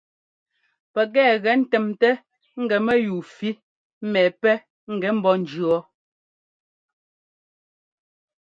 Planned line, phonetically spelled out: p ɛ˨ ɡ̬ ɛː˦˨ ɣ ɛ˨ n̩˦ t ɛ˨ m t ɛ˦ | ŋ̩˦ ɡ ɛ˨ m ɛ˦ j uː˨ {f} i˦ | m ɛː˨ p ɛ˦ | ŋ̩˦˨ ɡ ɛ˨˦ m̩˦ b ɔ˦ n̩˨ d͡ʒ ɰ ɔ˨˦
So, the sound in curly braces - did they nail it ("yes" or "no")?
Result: yes